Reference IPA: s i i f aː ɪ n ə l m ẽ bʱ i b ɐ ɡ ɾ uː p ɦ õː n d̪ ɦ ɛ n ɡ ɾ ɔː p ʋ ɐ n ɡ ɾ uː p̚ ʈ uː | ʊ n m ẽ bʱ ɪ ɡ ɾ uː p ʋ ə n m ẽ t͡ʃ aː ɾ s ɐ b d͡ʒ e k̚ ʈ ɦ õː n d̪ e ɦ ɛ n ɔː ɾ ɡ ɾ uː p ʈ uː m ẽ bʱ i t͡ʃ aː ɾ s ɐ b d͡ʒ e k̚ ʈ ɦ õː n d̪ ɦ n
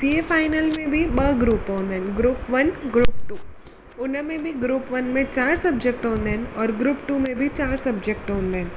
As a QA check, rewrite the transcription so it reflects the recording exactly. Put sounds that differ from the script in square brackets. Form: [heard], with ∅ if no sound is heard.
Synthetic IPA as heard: s i [e] f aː ɪ n ə l m ẽ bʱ i b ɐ ɡ ɾ uː p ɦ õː n d̪ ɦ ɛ n ɡ ɾ [uː] p ʋ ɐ n ɡ ɾ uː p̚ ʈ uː | ʊ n m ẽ bʱ [i] ɡ ɾ uː p ʋ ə n m ẽ t͡ʃ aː ɾ s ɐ b d͡ʒ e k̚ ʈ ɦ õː n d̪ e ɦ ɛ n ɔː ɾ ɡ ɾ uː p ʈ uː m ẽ bʱ i t͡ʃ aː ɾ s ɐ b d͡ʒ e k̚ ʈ ɦ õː n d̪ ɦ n